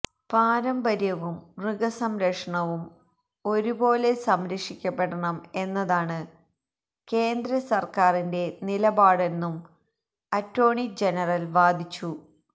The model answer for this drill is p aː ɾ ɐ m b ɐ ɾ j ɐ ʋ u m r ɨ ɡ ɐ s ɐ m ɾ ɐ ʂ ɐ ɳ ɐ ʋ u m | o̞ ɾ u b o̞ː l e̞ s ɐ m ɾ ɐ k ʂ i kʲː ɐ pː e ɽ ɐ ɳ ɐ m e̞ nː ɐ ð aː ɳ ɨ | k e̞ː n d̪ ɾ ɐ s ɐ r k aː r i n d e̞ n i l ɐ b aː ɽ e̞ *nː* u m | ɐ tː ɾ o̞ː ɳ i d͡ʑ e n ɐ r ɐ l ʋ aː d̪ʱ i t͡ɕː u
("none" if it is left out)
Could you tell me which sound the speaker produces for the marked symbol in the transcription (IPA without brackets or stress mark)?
nː